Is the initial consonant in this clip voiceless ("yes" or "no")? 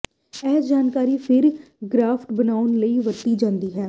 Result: no